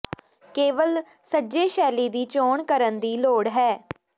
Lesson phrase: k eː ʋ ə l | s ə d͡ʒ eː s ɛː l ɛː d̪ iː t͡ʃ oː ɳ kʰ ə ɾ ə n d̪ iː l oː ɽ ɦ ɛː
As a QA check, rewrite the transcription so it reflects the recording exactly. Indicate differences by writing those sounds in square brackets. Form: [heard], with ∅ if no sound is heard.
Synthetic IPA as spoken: k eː ʋ ə l | s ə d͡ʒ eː [ʃ] ɛː l [iː] d̪ iː t͡ʃ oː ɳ [k] ə ɾ ə n d̪ iː l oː ɽ ɦ ɛː